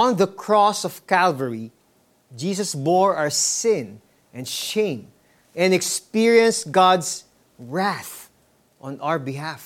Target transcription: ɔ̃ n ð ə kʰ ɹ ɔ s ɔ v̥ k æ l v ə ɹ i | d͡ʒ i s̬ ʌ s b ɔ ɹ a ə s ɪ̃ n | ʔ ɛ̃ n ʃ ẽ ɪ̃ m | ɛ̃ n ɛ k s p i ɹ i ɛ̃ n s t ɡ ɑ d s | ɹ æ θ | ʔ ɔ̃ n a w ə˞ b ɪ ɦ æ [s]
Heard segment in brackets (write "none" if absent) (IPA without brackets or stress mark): f